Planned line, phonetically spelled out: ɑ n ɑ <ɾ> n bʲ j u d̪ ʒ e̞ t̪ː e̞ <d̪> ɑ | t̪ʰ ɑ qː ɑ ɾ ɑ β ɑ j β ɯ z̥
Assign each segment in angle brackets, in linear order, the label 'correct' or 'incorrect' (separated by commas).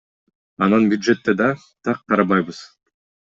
incorrect, correct